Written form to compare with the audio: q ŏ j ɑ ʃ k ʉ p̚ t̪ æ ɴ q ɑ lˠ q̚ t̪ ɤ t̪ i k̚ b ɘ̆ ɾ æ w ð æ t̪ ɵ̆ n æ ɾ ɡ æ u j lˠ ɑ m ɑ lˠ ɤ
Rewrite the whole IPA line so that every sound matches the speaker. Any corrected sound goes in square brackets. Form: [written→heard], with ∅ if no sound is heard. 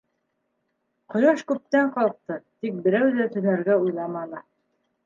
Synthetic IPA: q ŏ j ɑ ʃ k ʉ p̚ t̪ æ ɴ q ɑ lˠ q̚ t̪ ɤ t̪ i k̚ b ɘ̆ ɾ æ w ð æ t̪ ɵ̆ n æ ɾ ɡ æ u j lˠ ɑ m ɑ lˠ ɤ

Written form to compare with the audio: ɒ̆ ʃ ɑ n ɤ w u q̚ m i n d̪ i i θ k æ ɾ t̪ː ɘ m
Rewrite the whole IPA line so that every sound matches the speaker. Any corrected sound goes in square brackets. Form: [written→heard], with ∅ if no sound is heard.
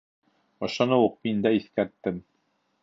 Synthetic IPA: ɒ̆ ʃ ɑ n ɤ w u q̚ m i n d̪ [i→æ] i θ k æ ɾ t̪ː ɘ m

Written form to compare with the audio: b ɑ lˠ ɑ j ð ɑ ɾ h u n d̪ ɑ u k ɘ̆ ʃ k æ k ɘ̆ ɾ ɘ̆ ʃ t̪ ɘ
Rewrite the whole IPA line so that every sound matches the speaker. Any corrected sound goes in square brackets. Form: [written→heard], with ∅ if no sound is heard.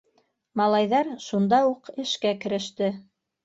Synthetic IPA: [b→m] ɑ lˠ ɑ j ð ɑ ɾ [h→ʃ] u n d̪ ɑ u [k→q] ɘ̆ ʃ k æ k ɘ̆ ɾ ɘ̆ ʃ t̪ ɘ

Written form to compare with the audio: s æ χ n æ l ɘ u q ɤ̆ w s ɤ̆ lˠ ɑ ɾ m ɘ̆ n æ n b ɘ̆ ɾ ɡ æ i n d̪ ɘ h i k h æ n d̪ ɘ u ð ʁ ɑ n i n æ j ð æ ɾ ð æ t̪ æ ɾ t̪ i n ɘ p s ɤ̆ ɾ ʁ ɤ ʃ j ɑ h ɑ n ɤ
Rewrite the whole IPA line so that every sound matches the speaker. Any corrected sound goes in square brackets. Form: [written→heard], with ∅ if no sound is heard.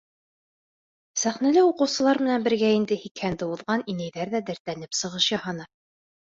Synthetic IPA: s æ χ n æ l ɘ u q ɤ̆ w s ɤ̆ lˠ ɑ ɾ m ɘ̆ n æ n b ɘ̆ ɾ ɡ æ i n d̪ ɘ h i k h æ n d̪ ɘ u ð ʁ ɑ n i n æ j ð æ ɾ ð æ [t̪→d̪] æ ɾ t̪ [i→æ] n ɘ p s ɤ̆ [ɾ→∅] ʁ ɤ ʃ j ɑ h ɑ n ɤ

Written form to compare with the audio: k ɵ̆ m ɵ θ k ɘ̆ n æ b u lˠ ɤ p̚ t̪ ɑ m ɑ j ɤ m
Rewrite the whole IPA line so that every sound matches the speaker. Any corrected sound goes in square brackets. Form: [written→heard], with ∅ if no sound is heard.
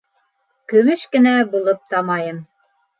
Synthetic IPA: k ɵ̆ m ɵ [θ→ʃ] k ɘ̆ n æ b u lˠ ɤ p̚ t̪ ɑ m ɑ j ɤ m

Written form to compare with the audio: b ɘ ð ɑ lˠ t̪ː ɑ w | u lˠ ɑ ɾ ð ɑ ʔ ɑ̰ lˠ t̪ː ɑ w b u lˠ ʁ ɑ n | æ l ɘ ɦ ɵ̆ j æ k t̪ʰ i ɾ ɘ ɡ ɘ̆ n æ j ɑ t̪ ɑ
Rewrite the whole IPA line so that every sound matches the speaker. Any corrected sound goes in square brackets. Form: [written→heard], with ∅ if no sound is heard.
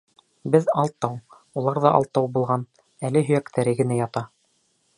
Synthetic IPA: b ɘ ð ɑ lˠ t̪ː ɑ w | u lˠ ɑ ɾ ð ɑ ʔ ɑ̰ lˠ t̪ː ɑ w b u lˠ ʁ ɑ n | æ l ɘ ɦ ɵ̆ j æ k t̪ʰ [i→æ] ɾ ɘ ɡ ɘ̆ n æ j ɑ t̪ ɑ

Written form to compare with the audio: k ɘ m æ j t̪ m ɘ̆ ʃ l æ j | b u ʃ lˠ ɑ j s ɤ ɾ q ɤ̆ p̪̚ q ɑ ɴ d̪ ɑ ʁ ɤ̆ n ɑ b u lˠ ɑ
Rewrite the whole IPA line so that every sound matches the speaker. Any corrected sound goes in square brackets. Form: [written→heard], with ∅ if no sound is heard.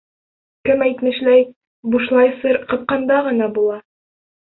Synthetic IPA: k ɘ m æ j t̪ m ɘ̆ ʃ l æ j | b u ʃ lˠ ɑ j s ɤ ɾ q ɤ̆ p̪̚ q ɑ [ɴ→n] d̪ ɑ ʁ ɤ̆ n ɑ b u lˠ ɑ

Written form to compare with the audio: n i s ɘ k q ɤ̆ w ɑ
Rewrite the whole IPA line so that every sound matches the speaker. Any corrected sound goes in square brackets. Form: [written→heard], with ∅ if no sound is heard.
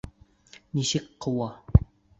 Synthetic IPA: n i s ɘ k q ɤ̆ w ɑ

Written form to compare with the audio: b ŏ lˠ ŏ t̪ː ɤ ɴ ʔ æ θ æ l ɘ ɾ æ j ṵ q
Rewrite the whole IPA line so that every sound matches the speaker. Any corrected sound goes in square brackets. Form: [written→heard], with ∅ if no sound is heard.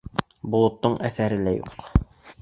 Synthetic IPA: b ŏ lˠ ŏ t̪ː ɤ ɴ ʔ æ θ æ [l→ɾ] ɘ [ɾ→l] æ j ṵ q

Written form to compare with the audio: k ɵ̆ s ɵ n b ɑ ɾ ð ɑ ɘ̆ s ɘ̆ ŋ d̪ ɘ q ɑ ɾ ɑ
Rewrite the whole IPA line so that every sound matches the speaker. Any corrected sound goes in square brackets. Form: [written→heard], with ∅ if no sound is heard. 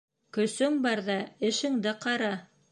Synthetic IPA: k ɵ̆ s ɵ [n→ŋ] b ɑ ɾ ð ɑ ɘ̆ [s→ʃ] ɘ̆ ŋ d̪ ɘ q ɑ ɾ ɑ

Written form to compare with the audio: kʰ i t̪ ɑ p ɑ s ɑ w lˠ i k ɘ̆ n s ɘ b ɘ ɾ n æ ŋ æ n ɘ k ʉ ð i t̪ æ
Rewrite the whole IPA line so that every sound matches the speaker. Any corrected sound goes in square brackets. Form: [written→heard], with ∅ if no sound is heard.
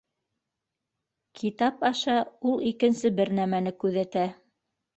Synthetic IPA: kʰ i t̪ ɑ p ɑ [s→ʃ] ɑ [w→u] lˠ i k ɘ̆ n s ɘ b ɘ ɾ n æ [ŋ→m] æ n ɘ k ʉ ð [i→æ] t̪ æ

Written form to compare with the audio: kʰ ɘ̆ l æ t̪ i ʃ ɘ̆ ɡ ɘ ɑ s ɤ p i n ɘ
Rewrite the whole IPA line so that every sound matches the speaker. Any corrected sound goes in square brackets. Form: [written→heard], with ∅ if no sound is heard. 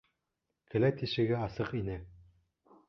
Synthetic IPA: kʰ ɘ̆ l æ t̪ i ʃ ɘ̆ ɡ ɘ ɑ s ɤ [p→q] i n ɘ

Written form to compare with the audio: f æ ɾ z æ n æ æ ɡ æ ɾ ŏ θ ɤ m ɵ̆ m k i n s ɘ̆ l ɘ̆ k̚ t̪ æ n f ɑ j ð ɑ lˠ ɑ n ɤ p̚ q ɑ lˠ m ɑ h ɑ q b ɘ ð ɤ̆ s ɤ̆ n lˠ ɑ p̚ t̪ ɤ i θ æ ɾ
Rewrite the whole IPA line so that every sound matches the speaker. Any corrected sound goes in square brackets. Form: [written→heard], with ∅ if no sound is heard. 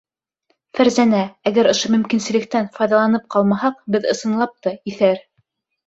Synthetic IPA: f æ ɾ z æ n æ æ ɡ æ ɾ ŏ [θ→ʃ] ɤ m ɵ̆ m k i n s ɘ̆ l ɘ̆ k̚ t̪ æ n f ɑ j ð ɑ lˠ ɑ n ɤ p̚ q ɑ lˠ m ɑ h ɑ q b ɘ ð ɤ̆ s ɤ̆ n lˠ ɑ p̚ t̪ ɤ i θ æ ɾ

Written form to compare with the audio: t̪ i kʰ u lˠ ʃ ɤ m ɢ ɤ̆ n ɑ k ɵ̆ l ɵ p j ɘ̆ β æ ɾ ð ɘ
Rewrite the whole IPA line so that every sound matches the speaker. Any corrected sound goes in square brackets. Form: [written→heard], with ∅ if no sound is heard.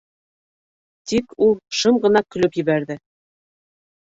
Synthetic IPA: t̪ i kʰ u lˠ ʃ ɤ m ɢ ɤ̆ n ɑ k ɵ̆ l ɵ p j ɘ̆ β æ ɾ ð ɘ

